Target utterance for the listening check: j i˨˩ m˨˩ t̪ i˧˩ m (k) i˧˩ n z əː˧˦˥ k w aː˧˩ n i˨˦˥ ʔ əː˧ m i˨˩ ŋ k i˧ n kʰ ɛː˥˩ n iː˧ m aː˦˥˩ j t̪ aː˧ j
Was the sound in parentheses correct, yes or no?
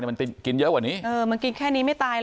yes